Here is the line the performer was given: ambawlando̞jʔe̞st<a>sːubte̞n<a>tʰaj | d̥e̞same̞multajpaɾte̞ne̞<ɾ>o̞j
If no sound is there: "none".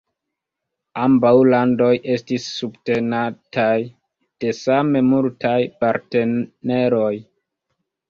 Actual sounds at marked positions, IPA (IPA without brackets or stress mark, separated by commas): i, a, ɾ